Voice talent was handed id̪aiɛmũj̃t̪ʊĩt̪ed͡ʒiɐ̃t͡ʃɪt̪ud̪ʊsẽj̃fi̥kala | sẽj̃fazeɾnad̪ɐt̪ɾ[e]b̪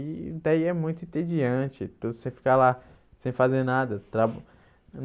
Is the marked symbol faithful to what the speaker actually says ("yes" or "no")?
no